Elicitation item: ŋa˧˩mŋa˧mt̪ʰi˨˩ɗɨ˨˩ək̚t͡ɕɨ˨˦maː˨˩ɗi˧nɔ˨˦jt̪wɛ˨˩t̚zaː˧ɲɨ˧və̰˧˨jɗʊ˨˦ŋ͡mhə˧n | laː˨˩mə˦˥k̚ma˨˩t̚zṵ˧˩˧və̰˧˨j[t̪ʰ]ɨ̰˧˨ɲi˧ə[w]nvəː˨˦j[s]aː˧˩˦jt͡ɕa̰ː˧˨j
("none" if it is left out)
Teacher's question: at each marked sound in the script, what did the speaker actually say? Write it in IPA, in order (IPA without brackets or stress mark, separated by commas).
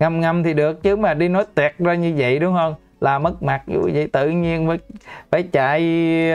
t̪, none, f